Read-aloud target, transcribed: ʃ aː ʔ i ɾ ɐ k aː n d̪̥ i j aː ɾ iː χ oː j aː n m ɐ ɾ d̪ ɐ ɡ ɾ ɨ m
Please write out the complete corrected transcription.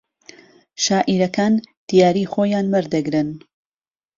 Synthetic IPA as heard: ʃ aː ʔ i ɾ ɐ k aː n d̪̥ i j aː ɾ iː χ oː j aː n m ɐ ɾ d̪ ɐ ɡ ɾ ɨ n

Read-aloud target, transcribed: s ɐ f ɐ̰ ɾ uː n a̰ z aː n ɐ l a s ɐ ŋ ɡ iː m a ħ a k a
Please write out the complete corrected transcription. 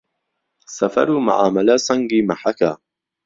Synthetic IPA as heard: s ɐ f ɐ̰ ɾ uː m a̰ ʕ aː m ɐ l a s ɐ ŋ ɡ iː m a ħ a k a

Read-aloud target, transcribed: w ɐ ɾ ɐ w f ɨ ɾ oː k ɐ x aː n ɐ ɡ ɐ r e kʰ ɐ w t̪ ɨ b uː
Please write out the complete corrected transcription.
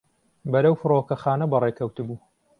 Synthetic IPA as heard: b ɐ ɾ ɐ w f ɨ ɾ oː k ɐ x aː n ɐ b ɐ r e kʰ ɐ w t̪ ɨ b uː

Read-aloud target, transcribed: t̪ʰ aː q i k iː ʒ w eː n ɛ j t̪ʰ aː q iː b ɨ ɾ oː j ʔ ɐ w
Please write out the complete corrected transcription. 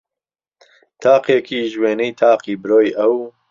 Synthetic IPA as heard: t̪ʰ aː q e k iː ʒ w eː n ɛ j t̪ʰ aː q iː b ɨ ɾ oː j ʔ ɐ w

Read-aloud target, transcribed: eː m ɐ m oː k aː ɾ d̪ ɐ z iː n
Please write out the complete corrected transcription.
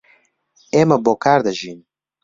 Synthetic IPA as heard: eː m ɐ b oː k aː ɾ d̪ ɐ ʒ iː n

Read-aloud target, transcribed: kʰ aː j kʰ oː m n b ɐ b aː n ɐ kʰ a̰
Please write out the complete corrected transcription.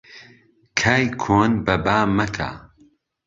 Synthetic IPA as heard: kʰ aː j kʰ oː n b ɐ b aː m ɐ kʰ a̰

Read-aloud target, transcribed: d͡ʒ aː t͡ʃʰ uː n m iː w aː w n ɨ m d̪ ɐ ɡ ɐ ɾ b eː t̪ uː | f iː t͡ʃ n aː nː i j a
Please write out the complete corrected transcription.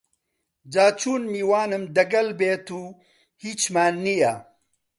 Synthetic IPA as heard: d͡ʒ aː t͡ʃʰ uː n m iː w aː n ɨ m d̪ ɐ ɡ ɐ l b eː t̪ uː | h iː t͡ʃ m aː nː i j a

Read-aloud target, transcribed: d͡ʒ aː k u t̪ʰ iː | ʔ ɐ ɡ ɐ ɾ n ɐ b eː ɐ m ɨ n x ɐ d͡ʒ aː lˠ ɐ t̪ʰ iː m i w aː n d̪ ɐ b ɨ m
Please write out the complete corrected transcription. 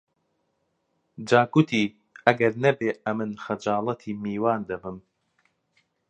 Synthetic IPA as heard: d͡ʒ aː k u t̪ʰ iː | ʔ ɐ ɡ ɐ ɾ n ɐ b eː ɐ m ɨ n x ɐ d͡ʒ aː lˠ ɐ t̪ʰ iː m iː w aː n d̪ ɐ b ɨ m

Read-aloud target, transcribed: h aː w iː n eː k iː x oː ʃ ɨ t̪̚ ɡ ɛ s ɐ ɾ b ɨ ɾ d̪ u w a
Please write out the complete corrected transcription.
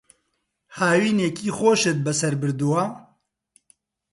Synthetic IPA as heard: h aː w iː n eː k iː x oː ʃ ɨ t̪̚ b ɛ s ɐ ɾ b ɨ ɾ d̪ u w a

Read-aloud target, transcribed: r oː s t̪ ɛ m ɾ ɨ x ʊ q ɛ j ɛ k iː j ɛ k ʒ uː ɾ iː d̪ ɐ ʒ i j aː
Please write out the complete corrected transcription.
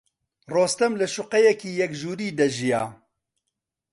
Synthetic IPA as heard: r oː s t̪ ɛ m l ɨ ʃ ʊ q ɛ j ɛ k iː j ɛ k ʒ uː ɾ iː d̪ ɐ ʒ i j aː

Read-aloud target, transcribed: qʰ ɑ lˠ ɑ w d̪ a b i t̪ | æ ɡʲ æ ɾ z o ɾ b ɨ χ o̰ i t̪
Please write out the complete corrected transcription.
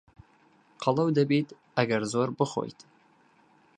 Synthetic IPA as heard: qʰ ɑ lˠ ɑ w d̪ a b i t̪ | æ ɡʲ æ ɾ z o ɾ b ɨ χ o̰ j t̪

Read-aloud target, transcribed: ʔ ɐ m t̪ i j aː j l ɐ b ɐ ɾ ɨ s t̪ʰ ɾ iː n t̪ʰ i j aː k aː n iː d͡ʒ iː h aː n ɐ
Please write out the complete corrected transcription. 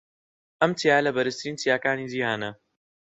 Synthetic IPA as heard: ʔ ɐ m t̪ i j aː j l ɐ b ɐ ɾ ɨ s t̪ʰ ɾ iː n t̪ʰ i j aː k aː n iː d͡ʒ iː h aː n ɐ

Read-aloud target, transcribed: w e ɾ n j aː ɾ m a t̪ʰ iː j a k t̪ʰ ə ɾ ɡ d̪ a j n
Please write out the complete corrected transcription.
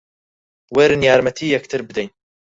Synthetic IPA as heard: w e ɾ n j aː ɾ m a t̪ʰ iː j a k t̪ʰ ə ɾ b d̪ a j n

